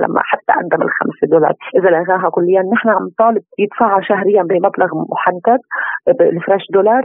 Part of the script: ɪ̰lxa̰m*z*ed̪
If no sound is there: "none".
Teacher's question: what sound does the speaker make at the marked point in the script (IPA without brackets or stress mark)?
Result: s